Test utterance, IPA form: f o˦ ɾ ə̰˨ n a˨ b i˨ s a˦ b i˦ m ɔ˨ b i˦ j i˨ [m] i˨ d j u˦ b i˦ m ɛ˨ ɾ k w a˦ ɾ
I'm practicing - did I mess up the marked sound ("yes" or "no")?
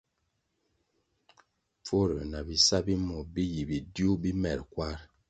yes